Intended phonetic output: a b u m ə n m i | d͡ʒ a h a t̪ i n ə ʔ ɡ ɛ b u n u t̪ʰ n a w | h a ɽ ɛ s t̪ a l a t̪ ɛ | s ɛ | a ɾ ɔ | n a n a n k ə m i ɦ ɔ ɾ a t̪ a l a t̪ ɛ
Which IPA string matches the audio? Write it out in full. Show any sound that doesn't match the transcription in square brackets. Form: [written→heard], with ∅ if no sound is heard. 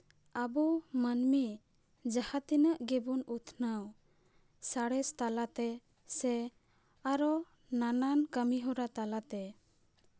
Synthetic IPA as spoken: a b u m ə n m i | d͡ʒ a h a t̪ i n ə ʔ ɡ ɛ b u n u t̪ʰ n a w | [h→s] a ɽ ɛ s t̪ a l a t̪ ɛ | s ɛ | a ɾ ɔ | n a n a n k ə m i ɦ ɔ ɾ a t̪ a l a t̪ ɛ